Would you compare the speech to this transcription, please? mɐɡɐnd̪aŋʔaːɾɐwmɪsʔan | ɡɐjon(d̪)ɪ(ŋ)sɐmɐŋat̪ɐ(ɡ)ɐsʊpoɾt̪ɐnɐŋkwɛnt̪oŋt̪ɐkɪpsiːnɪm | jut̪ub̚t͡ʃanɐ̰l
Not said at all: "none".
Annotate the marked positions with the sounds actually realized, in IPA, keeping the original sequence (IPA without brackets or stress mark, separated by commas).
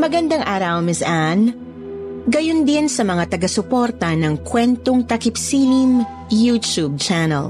d̪, n, ɡ